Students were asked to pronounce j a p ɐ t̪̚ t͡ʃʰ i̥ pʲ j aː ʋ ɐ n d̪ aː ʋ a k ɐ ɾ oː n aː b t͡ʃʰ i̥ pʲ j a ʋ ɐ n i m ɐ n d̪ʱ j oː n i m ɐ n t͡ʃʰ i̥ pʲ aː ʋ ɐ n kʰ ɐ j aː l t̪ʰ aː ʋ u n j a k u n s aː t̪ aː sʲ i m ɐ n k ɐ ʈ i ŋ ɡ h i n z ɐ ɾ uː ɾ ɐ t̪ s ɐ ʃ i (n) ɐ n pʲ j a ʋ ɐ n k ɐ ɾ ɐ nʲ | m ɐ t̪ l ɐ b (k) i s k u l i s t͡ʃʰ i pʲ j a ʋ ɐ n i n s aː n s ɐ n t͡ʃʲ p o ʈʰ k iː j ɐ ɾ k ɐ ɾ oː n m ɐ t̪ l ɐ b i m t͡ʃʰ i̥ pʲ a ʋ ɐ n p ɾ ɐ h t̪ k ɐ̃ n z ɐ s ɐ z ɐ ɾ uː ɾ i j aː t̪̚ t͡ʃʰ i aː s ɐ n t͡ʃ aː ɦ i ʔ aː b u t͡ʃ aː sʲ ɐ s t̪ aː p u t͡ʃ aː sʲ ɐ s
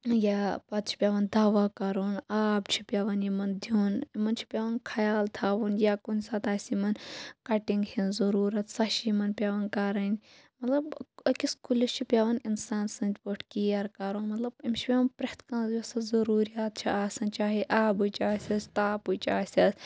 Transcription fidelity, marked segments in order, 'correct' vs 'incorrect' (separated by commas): incorrect, correct